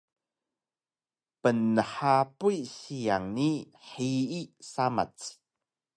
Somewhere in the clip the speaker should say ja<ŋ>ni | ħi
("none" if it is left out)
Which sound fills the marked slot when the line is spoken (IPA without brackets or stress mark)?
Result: ŋ